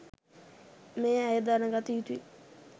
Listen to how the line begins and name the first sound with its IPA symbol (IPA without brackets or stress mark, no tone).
m